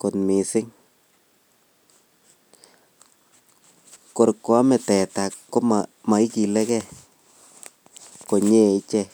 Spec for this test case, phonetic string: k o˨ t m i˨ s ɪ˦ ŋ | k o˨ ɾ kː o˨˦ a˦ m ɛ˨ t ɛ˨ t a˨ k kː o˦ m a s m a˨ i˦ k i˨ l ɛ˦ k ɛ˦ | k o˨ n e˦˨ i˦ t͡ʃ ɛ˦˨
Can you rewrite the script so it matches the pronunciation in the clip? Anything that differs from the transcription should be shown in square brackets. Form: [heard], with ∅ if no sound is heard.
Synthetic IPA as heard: k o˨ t m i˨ s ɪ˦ ŋ | k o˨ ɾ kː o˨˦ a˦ m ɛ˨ t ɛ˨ t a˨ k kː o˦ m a [∅] m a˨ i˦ k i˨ l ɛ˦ k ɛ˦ | k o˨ [ɲ] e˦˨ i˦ t͡ʃ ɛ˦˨